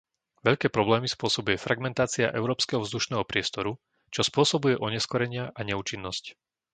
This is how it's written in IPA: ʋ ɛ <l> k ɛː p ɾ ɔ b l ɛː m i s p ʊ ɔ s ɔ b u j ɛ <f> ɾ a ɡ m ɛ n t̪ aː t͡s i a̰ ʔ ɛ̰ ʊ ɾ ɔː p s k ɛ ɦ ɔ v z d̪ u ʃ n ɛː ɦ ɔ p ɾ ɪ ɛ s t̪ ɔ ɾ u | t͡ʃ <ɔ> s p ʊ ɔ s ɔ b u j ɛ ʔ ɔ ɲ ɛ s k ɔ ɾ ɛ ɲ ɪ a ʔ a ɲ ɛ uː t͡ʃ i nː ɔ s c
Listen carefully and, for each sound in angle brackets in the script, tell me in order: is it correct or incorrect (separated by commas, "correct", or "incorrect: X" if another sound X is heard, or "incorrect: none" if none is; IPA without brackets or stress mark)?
incorrect: ʎ, correct, correct